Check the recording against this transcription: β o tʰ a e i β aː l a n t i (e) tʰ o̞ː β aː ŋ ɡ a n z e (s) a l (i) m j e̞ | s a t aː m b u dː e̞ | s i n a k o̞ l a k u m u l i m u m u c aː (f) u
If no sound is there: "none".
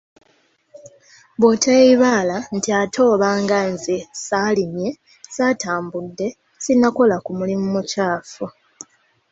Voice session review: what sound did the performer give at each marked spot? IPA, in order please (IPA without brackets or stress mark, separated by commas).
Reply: a, s, i, f